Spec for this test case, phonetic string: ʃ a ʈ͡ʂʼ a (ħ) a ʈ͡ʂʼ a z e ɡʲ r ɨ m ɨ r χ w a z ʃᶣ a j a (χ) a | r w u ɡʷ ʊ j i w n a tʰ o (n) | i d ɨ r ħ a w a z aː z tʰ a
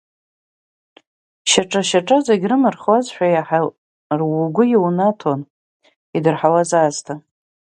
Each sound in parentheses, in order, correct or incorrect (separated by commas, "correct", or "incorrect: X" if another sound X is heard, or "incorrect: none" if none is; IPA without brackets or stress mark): incorrect: ʃ, incorrect: ħ, correct